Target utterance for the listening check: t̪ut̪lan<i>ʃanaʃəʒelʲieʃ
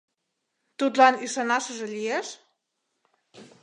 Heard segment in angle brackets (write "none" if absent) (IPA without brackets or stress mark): i